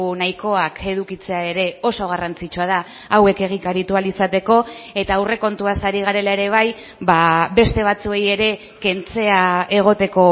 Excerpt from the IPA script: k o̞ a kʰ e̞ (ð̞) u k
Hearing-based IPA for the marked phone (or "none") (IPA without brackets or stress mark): ð̞